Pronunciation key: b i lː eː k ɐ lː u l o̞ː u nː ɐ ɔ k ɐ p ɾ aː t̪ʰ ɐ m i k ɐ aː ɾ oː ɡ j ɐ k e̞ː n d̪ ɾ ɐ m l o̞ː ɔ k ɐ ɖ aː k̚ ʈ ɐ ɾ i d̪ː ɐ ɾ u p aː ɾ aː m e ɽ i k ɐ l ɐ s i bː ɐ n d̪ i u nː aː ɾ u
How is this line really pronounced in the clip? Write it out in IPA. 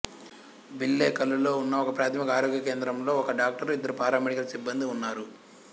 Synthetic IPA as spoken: b i lː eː k ɐ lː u l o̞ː u nː ɐ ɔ k ɐ p ɾ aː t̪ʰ ɐ m i k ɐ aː ɾ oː ɡ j ɐ k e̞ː n d̪ ɾ ɐ m l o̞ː ɔ k ɐ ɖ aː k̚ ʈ ɐ ɾ i d̪ː ɐ ɾ u p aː ɾ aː m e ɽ i k ɐ l ɐ s i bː ɐ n d̪ i u nː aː ɾ u

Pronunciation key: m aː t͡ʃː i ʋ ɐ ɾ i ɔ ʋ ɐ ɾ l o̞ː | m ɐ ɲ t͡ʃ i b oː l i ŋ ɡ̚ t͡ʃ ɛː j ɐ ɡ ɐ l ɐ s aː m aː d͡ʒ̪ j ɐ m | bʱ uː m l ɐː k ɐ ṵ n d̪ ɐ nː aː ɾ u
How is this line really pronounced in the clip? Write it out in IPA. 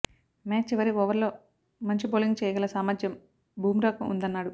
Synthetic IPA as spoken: m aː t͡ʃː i ʋ ɐ ɾ i ɔ ʋ ɐ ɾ l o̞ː | m ɐ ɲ t͡ʃ i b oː l i ŋ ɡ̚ t͡ʃ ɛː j ɐ ɡ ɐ l ɐ s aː m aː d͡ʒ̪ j ɐ m | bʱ uː m ɾ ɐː k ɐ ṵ n d̪ ɐ nː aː ɽ u

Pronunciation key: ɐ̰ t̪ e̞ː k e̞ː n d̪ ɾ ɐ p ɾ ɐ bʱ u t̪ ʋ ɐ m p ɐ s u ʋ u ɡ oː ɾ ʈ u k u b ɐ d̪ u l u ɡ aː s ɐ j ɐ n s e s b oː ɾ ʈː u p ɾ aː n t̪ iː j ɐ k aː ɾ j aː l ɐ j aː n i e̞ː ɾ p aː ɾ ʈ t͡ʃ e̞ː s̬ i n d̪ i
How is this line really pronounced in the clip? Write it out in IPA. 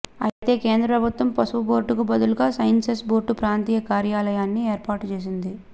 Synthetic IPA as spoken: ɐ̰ t̪ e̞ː k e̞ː n d̪ ɾ ɐ p ɾ ɐ bʱ u t̪ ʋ ɐ m p ɐ s u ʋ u b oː ɾ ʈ u k u b ɐ d̪ u l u ɡ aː s ɐ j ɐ n s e s b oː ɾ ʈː u p ɾ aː n t̪ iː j ɐ k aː ɾ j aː l ɐ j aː nː i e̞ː ɾ p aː ɾ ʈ t͡ʃ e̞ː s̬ i n d̪ i

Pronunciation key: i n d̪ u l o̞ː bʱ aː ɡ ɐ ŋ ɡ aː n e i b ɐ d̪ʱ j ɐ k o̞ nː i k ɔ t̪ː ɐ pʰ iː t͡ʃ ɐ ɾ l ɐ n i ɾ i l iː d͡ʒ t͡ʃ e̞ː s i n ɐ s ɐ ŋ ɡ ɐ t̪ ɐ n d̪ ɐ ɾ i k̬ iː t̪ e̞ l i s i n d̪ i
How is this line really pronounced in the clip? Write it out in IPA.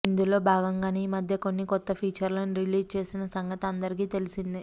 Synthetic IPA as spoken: i n d̪ u l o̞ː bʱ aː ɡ ɐ ŋ ɡ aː n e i m ɐ d̪ʱ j ɐ k o̞ nː i k ɔ t̪ː ɐ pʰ iː t͡ʃ ɐ ɾ l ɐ n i ɾ i l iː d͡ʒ t͡ʃ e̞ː s i n ɐ s ɐ ŋ ɡ ɐ t̪ ɐ n d̪ ɐ ɾ i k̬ iː t̪ e̞ l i s i n d̪ i

